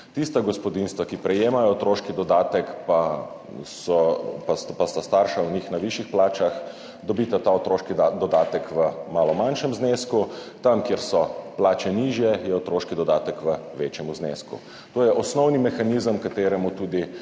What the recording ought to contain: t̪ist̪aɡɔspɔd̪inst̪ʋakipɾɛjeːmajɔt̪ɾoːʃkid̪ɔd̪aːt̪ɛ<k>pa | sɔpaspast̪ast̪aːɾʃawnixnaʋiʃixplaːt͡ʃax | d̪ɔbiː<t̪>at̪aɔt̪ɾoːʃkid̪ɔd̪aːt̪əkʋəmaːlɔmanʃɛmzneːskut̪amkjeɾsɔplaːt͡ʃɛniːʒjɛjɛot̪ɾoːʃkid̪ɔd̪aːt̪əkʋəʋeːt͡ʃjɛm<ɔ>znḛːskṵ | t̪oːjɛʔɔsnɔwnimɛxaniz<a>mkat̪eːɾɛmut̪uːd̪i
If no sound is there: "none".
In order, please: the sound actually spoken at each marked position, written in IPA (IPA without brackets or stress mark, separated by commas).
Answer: k, t̪, u, ə